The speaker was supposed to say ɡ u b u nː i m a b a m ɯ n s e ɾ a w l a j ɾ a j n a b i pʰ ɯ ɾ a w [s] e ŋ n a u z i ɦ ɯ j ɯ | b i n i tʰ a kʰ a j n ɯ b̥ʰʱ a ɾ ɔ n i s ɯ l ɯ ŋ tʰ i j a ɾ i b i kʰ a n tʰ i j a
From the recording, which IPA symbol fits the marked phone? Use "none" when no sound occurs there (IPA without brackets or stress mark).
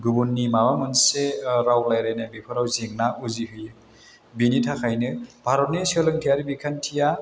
z